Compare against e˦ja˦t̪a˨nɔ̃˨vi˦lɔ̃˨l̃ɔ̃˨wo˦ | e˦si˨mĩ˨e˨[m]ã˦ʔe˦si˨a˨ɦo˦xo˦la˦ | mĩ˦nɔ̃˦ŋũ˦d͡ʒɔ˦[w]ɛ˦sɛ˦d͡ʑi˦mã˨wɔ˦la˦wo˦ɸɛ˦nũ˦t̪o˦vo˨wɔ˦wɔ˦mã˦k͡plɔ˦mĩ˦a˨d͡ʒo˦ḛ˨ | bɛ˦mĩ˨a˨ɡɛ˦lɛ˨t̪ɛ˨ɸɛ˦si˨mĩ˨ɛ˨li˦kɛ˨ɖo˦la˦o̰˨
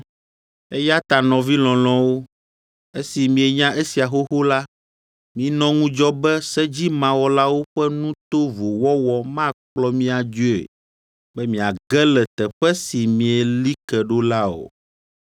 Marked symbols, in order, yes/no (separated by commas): no, no